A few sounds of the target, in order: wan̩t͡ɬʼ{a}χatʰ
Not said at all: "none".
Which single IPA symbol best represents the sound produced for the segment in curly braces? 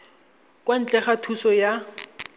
ɛ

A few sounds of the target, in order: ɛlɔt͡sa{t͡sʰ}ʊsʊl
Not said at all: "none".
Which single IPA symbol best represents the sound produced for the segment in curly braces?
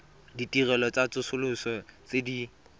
t͡s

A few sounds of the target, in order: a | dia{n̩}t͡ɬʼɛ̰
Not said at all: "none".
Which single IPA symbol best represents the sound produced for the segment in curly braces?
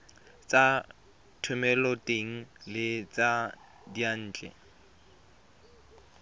n̩ː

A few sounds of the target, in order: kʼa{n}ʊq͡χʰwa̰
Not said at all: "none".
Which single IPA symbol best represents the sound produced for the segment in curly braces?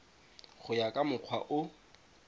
m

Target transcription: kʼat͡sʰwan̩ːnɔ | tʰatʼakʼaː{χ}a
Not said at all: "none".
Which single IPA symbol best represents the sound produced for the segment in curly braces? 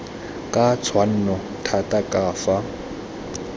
f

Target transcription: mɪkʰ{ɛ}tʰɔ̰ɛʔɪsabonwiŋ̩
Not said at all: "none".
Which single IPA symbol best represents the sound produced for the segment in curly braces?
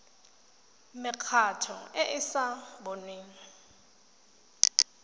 a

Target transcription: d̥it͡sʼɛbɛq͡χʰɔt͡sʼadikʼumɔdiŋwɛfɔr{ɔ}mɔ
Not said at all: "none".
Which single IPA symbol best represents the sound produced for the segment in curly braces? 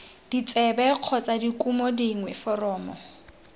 ɔː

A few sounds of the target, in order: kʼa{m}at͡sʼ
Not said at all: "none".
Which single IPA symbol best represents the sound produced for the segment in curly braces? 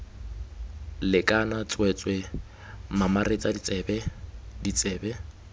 n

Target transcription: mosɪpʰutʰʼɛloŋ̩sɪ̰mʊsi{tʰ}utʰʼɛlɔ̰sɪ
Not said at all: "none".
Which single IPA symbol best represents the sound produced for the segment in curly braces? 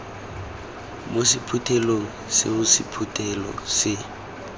pʰ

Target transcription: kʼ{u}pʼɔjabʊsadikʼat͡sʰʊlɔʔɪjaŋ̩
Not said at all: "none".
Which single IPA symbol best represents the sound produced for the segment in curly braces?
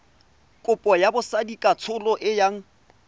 ʊ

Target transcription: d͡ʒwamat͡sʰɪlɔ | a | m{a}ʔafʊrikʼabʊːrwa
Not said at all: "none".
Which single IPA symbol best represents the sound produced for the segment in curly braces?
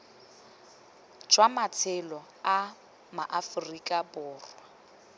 a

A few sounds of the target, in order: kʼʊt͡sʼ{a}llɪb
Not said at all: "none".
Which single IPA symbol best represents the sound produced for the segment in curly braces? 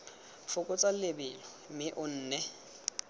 a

